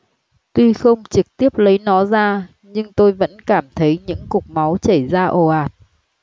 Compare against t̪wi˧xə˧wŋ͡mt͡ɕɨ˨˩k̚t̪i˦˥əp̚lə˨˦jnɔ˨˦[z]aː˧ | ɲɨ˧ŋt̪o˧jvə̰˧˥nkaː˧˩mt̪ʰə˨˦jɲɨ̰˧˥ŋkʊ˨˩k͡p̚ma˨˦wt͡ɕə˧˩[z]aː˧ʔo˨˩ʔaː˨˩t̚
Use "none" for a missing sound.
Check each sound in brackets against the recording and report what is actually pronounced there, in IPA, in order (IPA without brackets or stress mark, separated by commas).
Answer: z, z